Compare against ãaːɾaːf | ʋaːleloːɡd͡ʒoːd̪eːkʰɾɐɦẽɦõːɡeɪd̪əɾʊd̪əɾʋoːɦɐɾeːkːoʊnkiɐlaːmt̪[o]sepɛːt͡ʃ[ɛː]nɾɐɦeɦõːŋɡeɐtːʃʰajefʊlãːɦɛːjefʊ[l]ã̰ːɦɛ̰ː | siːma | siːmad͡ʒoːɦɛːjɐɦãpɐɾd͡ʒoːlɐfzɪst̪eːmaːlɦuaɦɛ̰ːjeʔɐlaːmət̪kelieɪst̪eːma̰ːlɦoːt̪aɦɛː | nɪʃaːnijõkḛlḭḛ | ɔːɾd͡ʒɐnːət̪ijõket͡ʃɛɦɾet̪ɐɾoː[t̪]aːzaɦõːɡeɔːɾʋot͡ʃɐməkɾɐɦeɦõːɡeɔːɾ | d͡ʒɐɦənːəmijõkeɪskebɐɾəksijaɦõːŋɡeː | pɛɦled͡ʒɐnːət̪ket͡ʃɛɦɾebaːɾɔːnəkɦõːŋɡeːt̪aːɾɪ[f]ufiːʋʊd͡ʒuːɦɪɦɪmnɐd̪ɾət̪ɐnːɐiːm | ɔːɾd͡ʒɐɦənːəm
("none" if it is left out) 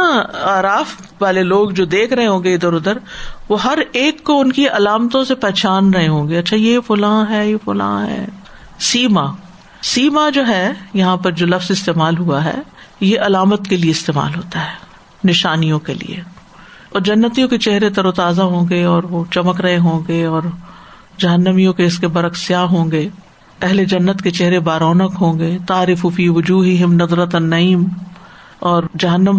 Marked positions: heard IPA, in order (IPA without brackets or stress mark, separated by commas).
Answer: õ, aː, l, t̪, f